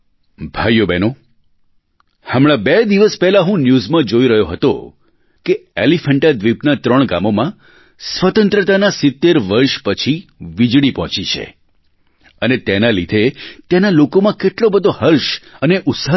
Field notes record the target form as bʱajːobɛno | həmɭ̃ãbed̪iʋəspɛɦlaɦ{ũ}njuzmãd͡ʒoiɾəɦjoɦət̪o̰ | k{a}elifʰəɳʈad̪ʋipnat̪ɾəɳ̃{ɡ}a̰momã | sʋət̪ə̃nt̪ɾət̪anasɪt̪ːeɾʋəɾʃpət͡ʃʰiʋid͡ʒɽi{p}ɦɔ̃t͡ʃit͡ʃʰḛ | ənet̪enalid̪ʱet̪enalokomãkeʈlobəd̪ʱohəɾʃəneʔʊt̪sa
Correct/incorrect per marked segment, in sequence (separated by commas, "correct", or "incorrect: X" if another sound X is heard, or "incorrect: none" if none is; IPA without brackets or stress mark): correct, incorrect: e, correct, correct